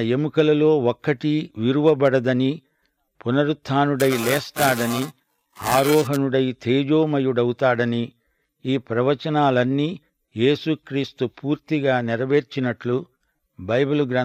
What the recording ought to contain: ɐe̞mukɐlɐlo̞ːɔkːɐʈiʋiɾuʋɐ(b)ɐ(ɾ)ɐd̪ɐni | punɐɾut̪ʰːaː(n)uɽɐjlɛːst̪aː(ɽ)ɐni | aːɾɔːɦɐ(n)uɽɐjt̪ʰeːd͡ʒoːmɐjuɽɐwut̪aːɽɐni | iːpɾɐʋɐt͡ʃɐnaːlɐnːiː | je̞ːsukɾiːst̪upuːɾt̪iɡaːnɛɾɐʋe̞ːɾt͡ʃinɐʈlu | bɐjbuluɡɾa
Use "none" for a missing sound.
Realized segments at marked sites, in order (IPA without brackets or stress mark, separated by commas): b, ɽ, n, ɽ, n